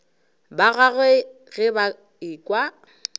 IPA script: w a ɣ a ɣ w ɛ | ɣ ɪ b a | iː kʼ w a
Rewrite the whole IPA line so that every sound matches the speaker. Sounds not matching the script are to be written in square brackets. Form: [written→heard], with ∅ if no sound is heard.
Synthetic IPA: [w→b] a ɣ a ɣ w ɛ | ɣ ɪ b a | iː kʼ w a

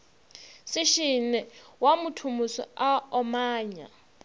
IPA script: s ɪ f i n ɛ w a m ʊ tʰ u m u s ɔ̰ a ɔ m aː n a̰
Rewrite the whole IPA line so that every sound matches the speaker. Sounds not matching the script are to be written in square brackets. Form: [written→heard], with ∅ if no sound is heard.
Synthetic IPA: s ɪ [f→ʃ] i n ɛ w a m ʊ tʰ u m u s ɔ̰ a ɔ m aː [n→ɲ] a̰

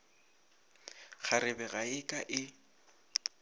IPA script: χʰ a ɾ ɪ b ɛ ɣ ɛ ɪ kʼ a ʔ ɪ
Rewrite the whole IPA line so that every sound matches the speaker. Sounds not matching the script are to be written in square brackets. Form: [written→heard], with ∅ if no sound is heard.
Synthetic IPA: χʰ a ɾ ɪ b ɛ ɣ [ɛ→a] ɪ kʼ a ʔ ɪ

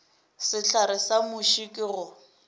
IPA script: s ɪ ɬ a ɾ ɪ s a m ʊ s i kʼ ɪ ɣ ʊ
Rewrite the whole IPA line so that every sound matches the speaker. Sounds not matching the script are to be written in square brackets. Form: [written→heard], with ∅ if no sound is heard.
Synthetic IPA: s ɪ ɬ a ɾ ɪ s a m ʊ [s→ʃ] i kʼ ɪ ɣ ʊ

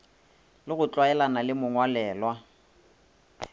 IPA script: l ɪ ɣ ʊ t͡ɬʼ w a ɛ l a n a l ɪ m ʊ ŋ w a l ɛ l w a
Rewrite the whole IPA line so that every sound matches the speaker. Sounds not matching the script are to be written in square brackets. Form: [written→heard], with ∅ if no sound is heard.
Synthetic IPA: l ɪ ɣ ʊ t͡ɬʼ w a ɛ l a n a l ɪ m ʊ ŋ w a l [ɛ→ɛː] l w a

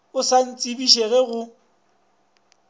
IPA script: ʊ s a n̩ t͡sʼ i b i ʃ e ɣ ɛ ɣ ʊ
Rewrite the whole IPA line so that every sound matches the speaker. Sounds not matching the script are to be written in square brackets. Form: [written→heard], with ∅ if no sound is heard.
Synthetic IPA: ʊ s a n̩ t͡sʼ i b i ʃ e ɣ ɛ ɣ ʊ

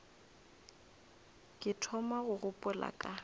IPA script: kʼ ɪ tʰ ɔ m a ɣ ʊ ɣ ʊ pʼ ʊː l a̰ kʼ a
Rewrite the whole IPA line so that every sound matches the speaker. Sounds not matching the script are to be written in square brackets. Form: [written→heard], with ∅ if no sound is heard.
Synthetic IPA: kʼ ɪ tʰ ɔ m a ɣ ʊ ɣ ʊ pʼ [ʊː→ʊ] l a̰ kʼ a

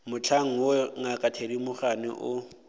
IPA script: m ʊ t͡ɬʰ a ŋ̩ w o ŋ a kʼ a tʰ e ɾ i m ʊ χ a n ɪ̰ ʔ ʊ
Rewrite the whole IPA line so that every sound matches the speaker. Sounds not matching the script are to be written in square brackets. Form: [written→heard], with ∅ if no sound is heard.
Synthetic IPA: m ʊ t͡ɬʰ a ŋ̩ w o ŋ a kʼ a tʰ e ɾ i m ʊ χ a n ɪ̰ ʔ ʊ

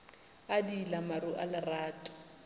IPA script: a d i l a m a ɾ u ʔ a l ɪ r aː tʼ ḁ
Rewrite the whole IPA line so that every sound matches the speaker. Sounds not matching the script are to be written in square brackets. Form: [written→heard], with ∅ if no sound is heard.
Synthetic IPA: a d i l a m a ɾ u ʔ a l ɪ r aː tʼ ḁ

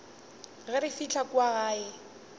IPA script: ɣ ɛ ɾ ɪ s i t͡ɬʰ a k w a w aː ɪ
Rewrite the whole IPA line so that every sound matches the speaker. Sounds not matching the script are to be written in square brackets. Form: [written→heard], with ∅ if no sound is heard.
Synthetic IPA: ɣ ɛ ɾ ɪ [s→f] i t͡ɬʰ a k w a [w→ɣ] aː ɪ

